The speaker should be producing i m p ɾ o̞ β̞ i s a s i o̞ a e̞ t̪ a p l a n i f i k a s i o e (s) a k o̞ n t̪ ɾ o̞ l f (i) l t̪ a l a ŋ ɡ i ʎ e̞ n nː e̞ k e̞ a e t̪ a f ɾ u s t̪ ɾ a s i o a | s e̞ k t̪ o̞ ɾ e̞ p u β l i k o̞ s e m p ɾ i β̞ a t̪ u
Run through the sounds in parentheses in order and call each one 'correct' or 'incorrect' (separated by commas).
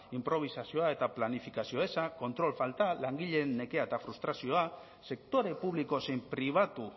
correct, incorrect